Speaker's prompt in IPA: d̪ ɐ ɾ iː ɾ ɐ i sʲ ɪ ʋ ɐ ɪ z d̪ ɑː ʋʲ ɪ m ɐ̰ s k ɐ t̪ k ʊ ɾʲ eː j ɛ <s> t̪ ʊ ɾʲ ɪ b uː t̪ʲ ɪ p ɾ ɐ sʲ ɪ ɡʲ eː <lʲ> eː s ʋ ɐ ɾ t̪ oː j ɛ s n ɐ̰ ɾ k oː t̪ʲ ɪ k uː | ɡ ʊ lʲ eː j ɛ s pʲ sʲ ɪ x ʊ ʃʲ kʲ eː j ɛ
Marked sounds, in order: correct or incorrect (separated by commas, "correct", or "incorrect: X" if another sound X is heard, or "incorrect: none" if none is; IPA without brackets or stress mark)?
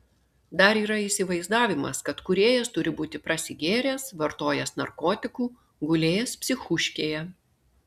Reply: correct, incorrect: ɾʲ